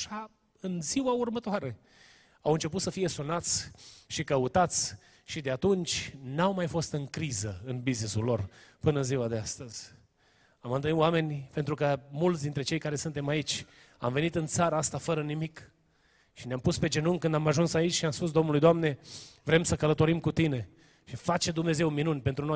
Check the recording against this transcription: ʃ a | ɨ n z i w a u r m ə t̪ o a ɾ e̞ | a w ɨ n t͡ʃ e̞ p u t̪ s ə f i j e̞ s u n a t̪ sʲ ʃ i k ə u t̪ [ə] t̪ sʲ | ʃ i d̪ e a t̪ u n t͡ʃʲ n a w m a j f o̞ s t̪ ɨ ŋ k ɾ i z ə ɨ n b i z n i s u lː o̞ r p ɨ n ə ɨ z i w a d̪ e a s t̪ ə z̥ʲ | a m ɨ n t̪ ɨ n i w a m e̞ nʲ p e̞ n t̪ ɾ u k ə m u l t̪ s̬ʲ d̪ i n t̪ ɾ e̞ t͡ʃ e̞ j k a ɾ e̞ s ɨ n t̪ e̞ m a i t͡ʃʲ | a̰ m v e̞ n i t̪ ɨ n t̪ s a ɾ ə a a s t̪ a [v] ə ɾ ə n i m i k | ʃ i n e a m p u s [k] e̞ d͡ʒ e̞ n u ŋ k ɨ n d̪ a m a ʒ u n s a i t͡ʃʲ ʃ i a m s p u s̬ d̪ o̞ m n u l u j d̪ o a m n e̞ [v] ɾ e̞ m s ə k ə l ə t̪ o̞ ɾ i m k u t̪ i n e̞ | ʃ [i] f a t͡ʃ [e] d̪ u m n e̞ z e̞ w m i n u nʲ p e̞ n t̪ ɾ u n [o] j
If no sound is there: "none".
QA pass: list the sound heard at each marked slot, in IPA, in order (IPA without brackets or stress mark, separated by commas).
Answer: a, f, p, v, i, e, o